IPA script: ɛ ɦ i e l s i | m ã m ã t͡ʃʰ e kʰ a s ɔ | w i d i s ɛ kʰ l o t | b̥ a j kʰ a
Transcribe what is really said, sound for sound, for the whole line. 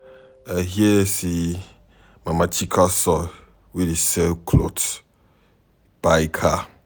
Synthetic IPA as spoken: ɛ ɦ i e s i | m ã m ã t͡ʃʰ i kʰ a s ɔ | w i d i s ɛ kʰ l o t | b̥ a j kʰ a

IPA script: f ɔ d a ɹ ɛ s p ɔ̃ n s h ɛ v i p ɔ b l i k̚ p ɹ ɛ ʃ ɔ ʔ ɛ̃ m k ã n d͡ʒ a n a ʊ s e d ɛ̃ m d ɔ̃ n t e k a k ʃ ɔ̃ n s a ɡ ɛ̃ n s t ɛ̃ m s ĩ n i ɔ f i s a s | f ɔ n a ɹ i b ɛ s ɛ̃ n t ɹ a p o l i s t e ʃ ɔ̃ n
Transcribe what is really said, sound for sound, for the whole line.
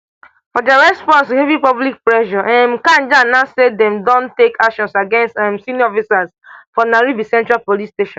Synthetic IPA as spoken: f ɔ d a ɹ ɛ s p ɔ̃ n s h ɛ v i p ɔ b l i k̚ p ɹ ɛ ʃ ɔ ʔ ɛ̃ m k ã n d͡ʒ a n a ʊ s e d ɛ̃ m d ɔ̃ n t e k a k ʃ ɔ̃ n s a ɡ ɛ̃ n s t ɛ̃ m s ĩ n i ɔ f i s a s | f ɔ n a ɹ i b i s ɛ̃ n t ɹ a p o l i s t e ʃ ɔ̃ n

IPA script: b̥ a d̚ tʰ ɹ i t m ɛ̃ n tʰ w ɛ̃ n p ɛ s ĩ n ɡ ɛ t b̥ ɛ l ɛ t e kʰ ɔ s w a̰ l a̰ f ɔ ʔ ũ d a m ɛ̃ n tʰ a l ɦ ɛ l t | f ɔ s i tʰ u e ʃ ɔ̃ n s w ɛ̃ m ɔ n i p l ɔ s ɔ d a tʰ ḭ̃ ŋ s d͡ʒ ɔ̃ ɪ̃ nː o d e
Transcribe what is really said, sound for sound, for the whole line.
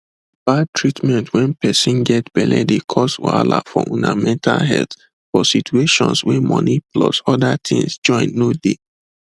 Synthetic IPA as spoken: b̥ a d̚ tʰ ɹ i t m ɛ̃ n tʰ w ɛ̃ n p ɛ s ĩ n ɡ ɛ t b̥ ɛ l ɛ d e kʰ ɔ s w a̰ l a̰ f ɔ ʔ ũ n a m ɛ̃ n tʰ a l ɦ ɛ l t | f ɔ s i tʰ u e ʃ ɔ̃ n s w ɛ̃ m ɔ n i p l ɔ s ɔ d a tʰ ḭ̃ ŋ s d͡ʒ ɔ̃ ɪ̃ nː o d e

